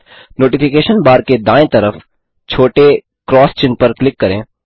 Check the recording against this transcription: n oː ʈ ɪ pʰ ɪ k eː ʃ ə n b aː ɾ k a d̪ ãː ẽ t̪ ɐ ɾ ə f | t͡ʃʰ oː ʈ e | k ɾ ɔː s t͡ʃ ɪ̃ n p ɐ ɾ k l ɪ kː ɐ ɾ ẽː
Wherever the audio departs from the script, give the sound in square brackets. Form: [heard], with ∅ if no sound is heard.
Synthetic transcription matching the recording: n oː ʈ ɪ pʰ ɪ k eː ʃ ə n b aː ɾ k [e] d̪ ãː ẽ t̪ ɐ ɾ ə f | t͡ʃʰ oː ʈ e | k ɾ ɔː s t͡ʃ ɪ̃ n p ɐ ɾ k l ɪ kː ɐ ɾ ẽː